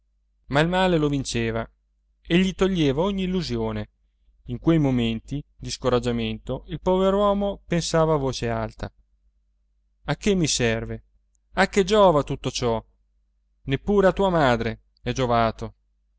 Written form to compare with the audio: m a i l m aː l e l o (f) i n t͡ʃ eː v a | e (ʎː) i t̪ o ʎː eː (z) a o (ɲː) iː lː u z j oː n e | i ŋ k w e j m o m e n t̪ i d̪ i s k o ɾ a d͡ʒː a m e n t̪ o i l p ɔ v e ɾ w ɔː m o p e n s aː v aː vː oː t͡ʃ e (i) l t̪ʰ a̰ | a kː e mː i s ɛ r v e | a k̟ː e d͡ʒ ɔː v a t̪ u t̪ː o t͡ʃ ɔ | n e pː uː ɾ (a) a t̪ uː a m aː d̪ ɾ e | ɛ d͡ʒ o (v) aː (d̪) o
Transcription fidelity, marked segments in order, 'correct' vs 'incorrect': incorrect: v, correct, incorrect: v, correct, incorrect: a, incorrect: e, correct, incorrect: t̪

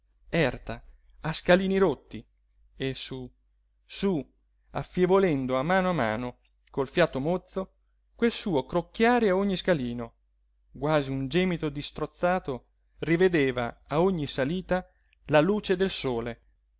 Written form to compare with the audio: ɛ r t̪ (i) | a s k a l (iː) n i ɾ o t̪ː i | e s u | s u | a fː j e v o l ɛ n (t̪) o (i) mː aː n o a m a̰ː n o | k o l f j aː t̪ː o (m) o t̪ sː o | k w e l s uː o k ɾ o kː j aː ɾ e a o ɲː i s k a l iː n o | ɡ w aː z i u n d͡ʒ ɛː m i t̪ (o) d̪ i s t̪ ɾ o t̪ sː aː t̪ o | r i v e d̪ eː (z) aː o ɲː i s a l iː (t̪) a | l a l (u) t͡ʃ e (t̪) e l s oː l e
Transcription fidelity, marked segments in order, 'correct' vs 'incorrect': incorrect: a, correct, incorrect: d̪, incorrect: a, correct, correct, incorrect: v, correct, incorrect: uː, incorrect: d̪

